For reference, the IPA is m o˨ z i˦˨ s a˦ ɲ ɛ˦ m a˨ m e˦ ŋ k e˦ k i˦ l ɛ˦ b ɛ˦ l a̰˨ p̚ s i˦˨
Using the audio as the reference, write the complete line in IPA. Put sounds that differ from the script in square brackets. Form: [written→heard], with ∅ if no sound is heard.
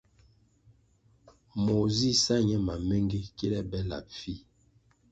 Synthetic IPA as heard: m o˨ z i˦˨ s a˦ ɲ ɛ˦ m a˨ m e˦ ŋ [k→ɡ] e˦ k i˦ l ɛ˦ b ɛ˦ l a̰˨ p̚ [s→f] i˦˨